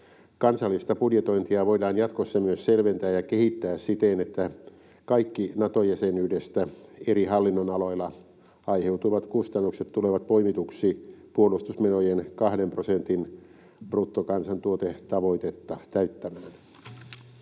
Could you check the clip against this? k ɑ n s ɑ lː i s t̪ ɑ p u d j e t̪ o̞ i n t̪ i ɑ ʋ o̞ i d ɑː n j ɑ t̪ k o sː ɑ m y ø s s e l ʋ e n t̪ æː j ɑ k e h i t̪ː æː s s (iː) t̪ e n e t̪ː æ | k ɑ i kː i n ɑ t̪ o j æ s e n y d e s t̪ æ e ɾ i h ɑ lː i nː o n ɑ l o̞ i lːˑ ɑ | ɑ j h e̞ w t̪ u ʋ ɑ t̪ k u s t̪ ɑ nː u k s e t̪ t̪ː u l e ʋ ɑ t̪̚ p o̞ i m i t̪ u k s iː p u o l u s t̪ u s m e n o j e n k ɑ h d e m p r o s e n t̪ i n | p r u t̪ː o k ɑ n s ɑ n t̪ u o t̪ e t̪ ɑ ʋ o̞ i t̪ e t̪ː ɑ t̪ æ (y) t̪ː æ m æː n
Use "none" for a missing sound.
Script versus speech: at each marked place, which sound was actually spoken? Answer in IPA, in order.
i, y

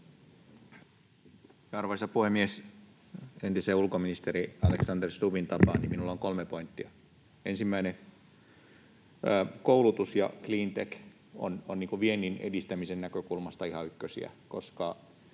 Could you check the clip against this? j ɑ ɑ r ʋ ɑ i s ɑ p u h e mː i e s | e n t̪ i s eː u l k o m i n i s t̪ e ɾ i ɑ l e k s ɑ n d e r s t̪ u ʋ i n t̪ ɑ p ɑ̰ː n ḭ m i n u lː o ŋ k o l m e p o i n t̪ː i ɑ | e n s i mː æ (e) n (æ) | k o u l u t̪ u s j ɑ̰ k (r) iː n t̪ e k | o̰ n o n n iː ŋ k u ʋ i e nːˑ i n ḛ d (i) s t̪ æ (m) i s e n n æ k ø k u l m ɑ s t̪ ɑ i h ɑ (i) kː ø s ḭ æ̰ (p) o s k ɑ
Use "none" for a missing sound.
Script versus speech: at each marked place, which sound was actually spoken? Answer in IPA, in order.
i, e, l, i, m, y, k

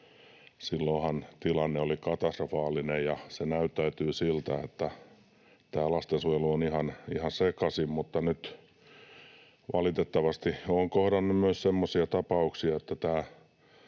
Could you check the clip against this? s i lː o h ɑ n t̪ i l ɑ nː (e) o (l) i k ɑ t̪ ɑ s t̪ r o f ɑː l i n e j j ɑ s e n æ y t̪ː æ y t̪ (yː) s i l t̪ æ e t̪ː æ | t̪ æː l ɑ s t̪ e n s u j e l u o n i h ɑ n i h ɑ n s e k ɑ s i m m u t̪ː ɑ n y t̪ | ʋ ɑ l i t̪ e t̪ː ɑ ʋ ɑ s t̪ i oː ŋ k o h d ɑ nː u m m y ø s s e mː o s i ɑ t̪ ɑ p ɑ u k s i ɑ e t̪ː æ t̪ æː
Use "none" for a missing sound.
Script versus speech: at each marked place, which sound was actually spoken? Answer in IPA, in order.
e, l, yː

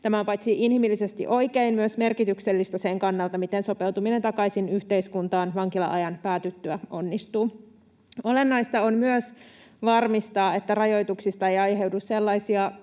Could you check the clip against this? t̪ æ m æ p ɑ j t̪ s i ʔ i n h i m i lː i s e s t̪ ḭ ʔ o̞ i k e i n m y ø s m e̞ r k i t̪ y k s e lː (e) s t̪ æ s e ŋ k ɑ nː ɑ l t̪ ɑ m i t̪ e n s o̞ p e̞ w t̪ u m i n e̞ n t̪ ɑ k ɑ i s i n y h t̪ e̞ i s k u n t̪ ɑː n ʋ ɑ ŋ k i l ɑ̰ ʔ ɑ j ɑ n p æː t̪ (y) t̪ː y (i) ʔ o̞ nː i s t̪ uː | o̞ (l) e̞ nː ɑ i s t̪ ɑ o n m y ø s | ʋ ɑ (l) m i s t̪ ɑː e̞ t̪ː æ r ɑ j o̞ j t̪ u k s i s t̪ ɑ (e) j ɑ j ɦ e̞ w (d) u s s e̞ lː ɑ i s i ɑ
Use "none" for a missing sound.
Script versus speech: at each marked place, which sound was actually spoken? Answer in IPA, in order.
i, y, æ, l, r, e, d

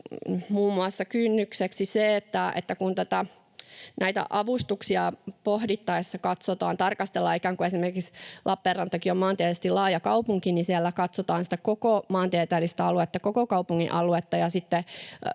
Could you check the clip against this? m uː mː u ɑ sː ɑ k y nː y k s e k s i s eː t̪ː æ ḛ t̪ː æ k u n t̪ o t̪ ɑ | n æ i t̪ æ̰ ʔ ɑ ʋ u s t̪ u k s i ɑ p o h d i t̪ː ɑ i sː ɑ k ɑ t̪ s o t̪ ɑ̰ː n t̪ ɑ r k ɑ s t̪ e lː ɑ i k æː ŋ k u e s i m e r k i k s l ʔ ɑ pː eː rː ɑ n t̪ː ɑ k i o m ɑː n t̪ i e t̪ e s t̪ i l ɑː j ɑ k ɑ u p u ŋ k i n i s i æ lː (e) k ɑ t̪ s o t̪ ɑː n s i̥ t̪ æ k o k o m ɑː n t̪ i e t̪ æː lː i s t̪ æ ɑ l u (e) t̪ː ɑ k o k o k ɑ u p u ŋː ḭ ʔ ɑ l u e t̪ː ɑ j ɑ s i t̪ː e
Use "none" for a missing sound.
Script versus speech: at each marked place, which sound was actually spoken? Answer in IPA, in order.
æ, e

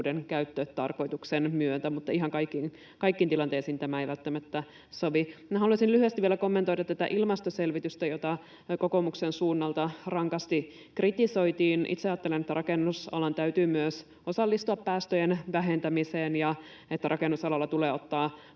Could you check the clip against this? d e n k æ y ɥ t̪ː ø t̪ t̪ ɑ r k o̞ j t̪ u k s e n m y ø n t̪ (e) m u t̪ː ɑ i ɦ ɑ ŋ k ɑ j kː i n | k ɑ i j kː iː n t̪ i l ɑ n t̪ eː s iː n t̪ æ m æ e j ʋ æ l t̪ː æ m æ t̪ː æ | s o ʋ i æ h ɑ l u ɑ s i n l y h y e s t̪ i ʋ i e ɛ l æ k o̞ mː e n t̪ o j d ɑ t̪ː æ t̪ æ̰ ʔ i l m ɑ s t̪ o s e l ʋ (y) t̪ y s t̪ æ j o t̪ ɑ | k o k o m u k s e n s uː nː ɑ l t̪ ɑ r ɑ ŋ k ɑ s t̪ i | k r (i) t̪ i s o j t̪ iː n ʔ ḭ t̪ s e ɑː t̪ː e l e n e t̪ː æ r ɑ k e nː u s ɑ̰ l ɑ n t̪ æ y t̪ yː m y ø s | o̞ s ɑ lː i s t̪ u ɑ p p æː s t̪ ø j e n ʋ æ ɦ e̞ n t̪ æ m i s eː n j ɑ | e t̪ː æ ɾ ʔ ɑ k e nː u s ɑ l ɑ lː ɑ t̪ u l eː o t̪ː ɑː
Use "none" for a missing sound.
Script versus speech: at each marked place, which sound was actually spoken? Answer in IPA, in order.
æ, i, i

